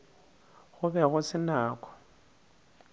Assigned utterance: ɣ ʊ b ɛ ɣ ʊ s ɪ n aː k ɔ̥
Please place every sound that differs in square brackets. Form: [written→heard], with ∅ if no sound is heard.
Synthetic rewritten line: ɣ ʊ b ɛ ɣ ʊ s ɪ n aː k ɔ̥